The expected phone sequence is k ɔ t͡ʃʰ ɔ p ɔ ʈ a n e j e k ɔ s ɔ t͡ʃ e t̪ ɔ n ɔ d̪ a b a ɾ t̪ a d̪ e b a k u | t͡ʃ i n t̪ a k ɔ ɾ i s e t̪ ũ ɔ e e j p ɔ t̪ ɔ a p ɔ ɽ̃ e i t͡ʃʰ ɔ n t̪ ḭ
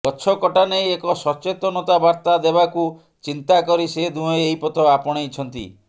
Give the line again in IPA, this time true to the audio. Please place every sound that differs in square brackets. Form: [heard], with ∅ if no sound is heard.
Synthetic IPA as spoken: k ɔ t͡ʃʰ ɔ [k] ɔ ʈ a n e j e k ɔ s ɔ t͡ʃ e t̪ ɔ n ɔ [t̪] a b a ɾ t̪ a d̪ e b a k u | t͡ʃ i n t̪ a k ɔ ɾ i s e [d̪] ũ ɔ e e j p ɔ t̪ ɔ a p ɔ ɽ̃ e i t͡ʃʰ ɔ n t̪ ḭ